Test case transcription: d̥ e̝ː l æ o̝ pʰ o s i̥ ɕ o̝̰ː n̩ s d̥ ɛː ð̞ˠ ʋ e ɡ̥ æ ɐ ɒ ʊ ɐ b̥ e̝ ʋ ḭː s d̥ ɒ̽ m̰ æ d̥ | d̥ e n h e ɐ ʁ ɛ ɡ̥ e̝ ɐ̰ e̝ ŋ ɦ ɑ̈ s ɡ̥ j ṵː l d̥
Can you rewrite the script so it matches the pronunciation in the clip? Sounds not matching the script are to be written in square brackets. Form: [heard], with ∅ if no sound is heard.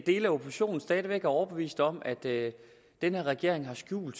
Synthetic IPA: d̥ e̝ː l æ o̝ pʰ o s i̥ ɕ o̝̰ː n̩ s d̥ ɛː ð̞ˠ ʋ e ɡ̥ æ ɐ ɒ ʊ ɐ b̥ e̝ ʋ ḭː s d̥ ɒ̽ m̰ æ d̥ | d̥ e n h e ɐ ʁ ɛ ɡ̥ e̝ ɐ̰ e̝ ŋ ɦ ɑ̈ s ɡ̥ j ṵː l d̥